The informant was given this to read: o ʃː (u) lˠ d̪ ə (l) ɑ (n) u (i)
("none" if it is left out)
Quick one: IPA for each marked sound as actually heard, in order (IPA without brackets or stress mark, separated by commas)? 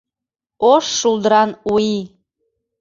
u, ɾ, n, i